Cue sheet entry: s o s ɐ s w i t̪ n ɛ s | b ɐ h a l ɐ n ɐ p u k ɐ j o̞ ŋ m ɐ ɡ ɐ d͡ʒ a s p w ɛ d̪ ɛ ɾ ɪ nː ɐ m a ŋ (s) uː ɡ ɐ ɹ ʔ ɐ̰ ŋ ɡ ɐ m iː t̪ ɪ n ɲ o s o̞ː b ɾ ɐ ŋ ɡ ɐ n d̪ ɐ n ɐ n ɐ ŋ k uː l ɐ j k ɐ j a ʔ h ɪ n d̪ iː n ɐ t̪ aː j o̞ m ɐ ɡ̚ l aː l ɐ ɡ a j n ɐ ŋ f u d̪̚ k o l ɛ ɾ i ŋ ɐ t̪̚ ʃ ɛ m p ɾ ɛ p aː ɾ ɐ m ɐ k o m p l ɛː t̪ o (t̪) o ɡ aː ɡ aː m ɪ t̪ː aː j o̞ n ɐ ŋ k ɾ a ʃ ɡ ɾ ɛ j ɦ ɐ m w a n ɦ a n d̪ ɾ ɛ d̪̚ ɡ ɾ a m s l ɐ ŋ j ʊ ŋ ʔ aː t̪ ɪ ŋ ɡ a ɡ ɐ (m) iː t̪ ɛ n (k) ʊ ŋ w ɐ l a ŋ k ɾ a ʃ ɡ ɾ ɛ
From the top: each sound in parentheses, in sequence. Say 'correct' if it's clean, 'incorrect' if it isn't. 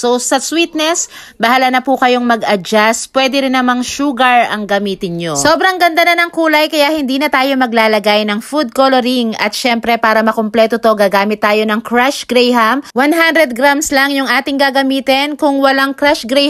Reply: incorrect: ʃ, correct, correct, correct

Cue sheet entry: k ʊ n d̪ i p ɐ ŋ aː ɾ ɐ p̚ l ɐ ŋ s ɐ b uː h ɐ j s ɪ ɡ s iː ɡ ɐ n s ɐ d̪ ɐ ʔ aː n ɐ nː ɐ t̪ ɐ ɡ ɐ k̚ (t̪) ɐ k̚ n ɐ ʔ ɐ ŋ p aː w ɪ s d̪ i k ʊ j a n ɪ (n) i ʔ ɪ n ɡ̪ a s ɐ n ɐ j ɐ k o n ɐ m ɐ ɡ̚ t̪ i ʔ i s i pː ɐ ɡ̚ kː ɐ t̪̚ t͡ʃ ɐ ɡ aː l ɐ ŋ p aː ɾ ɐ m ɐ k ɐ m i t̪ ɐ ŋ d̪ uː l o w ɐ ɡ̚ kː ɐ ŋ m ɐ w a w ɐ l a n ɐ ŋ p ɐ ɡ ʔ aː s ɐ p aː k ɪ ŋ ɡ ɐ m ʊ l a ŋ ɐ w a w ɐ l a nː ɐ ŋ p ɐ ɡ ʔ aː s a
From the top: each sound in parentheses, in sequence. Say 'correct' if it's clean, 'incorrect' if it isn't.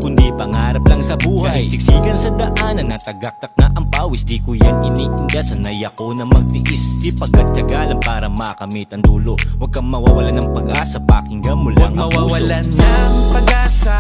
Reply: correct, correct

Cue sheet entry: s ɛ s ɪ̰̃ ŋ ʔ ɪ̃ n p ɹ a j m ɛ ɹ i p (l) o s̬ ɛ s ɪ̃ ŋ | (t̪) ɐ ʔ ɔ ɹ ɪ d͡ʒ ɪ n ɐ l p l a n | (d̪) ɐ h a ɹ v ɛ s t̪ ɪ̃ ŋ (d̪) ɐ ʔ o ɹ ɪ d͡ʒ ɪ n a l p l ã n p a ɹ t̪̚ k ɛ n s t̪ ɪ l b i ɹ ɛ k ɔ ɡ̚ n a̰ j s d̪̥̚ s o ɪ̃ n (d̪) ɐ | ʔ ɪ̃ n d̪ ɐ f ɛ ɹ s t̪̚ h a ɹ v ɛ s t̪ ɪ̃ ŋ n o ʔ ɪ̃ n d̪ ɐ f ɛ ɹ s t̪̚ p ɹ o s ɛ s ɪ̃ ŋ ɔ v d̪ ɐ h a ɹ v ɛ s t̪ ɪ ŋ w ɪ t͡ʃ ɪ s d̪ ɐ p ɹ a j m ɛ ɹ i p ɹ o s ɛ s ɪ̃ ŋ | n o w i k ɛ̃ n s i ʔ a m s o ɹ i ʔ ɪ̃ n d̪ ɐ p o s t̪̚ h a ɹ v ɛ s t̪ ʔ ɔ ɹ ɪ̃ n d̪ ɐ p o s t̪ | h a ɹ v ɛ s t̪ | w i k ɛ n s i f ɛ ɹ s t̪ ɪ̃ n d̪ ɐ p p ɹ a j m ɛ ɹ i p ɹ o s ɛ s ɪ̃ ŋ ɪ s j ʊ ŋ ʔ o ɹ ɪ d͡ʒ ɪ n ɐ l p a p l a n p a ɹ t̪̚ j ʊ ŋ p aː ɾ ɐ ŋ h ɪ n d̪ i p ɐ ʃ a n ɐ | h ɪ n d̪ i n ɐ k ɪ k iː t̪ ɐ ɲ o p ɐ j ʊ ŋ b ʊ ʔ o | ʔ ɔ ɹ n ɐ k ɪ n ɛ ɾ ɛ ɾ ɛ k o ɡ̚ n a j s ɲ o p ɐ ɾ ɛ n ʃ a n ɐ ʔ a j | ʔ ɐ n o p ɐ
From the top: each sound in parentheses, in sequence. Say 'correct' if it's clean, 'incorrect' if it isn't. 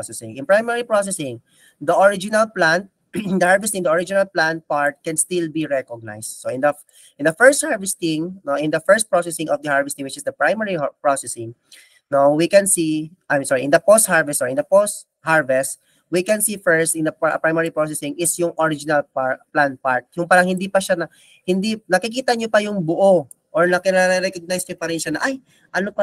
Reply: incorrect: ɹ, incorrect: d̪, correct, correct, correct

